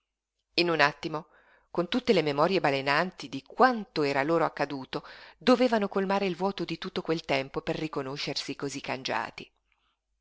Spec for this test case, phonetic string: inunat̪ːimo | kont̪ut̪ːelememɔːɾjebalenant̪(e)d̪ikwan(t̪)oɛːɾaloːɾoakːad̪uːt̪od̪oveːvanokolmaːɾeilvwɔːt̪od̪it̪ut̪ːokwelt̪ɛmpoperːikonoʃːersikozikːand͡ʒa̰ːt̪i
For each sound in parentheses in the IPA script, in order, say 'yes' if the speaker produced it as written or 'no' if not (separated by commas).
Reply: no, yes